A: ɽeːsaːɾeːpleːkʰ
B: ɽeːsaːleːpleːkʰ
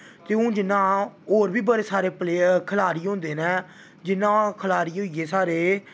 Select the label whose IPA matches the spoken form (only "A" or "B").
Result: A